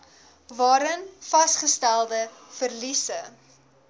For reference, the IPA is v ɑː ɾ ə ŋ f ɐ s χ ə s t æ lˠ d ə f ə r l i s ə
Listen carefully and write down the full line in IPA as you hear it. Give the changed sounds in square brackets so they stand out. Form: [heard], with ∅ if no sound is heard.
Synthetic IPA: v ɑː ɾ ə [n] f ɐ s χ ə s t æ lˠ d ə f ə r l i s ə